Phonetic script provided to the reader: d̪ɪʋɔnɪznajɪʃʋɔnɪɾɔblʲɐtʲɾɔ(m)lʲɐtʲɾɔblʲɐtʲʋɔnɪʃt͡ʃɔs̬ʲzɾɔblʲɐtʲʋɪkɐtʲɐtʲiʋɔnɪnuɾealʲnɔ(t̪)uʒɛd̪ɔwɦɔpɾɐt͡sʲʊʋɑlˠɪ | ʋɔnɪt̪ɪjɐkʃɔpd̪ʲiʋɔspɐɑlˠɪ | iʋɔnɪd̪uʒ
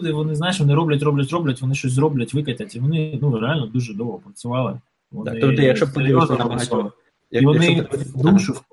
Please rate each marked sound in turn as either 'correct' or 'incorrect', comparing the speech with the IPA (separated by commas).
incorrect, incorrect